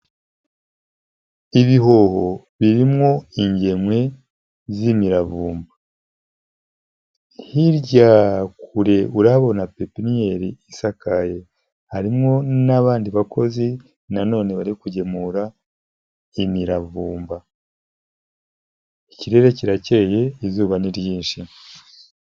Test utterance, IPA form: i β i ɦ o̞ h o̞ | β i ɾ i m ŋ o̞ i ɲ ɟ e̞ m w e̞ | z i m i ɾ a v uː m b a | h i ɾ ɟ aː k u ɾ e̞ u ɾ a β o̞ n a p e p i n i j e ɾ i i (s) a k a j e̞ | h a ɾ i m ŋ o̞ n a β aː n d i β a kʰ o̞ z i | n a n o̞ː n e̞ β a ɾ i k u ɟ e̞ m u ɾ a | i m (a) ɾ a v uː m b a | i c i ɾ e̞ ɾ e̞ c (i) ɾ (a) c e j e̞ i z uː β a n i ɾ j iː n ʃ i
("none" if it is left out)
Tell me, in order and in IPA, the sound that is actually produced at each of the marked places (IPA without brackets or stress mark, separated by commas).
s, i, i, a